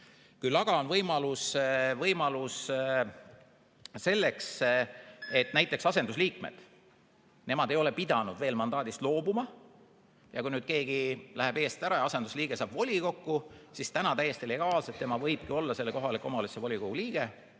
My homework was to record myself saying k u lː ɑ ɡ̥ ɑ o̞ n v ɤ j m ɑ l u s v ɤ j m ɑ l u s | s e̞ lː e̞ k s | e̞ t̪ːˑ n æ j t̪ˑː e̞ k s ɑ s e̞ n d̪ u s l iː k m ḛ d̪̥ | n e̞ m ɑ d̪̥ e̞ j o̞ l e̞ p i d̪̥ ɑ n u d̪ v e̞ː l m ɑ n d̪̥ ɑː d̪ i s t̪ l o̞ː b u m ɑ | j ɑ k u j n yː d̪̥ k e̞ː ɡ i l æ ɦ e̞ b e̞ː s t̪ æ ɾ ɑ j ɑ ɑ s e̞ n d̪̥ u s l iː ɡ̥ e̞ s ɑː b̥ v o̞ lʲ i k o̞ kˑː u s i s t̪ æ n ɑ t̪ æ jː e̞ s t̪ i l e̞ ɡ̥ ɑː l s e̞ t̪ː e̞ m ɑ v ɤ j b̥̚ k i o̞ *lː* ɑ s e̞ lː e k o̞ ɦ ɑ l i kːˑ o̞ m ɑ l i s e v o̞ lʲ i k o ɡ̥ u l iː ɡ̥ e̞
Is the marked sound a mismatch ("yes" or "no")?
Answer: no